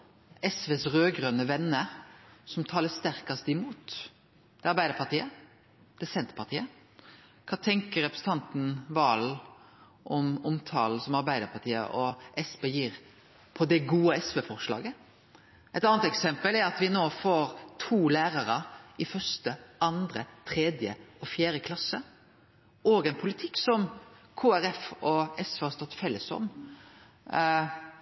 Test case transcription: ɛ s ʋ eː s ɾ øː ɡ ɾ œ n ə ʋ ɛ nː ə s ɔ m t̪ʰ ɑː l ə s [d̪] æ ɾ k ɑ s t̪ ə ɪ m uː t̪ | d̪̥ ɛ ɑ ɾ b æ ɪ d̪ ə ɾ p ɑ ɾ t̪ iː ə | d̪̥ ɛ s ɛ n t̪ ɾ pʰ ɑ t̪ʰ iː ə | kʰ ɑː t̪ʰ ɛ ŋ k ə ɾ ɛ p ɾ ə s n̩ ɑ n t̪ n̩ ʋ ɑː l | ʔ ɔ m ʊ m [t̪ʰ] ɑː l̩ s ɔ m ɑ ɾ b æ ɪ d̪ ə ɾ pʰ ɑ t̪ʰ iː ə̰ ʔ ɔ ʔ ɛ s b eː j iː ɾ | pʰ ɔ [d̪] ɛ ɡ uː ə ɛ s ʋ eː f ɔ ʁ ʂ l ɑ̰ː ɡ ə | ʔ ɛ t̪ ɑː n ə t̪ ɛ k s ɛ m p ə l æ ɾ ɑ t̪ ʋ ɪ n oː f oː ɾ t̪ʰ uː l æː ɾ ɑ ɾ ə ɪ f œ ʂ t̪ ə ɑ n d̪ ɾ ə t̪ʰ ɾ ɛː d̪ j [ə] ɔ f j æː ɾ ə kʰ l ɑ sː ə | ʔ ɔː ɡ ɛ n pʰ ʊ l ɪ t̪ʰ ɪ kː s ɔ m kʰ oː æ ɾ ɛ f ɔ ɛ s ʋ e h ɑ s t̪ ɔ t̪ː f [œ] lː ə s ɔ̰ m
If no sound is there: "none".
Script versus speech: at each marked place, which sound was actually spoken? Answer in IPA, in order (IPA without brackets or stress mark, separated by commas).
t̪, t̪ʰ, d̪, ə, ɛ